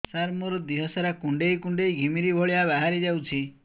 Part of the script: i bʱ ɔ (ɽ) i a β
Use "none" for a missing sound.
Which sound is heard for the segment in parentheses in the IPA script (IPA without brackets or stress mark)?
ɭ